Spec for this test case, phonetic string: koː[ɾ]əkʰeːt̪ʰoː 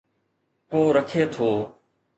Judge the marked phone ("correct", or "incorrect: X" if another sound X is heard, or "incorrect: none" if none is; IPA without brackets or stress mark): correct